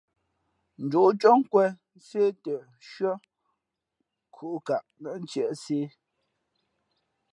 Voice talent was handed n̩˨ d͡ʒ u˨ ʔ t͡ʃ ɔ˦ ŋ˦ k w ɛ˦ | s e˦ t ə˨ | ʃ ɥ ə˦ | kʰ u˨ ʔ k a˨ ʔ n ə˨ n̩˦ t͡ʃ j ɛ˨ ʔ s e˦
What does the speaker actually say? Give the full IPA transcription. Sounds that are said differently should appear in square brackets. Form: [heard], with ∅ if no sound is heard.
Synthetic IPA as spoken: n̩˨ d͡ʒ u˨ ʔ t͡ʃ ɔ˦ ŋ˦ k w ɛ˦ | s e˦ t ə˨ | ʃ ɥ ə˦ | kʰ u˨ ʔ k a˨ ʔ n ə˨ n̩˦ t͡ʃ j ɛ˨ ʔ s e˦